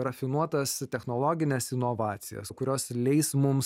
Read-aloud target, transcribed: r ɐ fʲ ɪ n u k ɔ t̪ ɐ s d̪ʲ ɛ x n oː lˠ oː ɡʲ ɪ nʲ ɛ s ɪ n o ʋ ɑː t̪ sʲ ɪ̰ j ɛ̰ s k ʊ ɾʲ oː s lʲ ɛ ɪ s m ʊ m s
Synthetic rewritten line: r ɐ fʲ ɪ n u ɔ t̪ ɐ s t̪ʲ ɛ x n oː lˠ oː ɡʲ ɪ nʲ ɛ s ɪ n o ʋ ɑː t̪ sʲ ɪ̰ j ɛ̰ s k ʊ ɾʲ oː s lʲ ɛ ɪ s m ʊ m s

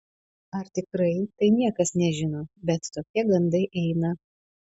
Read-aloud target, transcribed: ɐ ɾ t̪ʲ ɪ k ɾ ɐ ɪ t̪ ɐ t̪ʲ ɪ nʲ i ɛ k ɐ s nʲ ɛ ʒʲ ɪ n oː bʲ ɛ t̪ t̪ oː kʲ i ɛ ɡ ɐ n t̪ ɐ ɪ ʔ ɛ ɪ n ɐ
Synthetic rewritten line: ɐ ɾ t̪ʲ ɪ k ɾ ɐ ɪ t̪ ɐ ɪ nʲ i ɛ k ɐ s nʲ ɛ ʒʲ ɪ n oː bʲ ɛ t̪ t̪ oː kʲ i ɛ ɡ ɐ n d̪ ɐ ɪ ʔ ɛ ɪ n ɐ

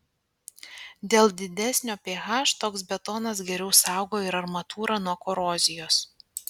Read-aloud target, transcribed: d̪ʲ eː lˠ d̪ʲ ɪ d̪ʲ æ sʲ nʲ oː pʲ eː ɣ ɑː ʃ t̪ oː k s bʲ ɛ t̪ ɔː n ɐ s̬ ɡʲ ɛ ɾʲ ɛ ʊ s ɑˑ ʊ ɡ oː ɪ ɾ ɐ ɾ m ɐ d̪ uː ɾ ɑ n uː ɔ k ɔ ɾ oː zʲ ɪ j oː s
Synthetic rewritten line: d̪ʲ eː lˠ d̪ʲ ɪ d̪ʲ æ sʲ nʲ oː pʲ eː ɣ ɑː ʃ t̪ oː k s bʲ ɛ t̪ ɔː n ɐ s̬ ɡʲ ɛ ɾʲ ɛ ʊ s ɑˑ ʊ ɡ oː ɪ ɾ ɐ ɾ m ɐ t̪ uː ɾ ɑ n u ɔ k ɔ ɾ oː zʲ ɪ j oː s

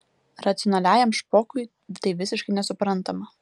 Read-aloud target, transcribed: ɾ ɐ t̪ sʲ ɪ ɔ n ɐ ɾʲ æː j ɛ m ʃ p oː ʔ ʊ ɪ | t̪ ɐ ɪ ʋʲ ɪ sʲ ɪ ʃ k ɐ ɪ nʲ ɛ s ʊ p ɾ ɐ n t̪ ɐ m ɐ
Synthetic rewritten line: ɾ ɐ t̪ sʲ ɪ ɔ n ɐ lʲ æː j ɛ m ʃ p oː k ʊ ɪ | t̪ ɐ ɪ ʋʲ ɪ sʲ ɪ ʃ k ɐ ɪ nʲ ɛ s ʊ p ɾ ɐ n t̪ ɐ m ɐ

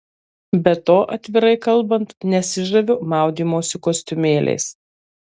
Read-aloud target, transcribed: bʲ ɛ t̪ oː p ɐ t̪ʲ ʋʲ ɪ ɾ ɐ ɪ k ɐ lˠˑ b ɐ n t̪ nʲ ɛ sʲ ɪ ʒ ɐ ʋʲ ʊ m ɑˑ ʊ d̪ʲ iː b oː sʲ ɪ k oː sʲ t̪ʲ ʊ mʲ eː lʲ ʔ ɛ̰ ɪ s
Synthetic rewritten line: bʲ ɛ t̪ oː ʔ ɐ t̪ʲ ʋʲ ɪ ɾ ɐ ɪ k ɐ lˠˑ b ɐ n t̪ nʲ ɛ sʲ ɪ ʒ ɐ ʋʲ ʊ m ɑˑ ʊ d̪ʲ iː m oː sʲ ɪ k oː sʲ t̪ʲ ʊ mʲ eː lʲ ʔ ɛ̰ ɪ s

